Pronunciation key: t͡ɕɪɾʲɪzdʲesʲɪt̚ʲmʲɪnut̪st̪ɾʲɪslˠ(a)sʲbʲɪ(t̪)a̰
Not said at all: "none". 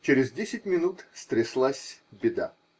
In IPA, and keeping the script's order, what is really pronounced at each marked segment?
a, d̪

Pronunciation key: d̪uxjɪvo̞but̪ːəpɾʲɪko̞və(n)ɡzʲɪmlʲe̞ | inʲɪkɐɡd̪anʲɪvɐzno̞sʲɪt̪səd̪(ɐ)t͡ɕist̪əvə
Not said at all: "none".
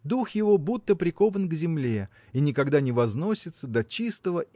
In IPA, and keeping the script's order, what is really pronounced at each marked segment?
n, ɐ

